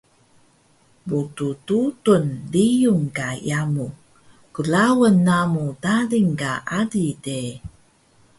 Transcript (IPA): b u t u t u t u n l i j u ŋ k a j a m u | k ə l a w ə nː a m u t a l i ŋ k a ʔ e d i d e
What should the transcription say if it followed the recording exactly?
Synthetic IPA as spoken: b u t u t u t u n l i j u ŋ k a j a m u | k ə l a w ə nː a m u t a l i ŋ k a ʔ a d i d e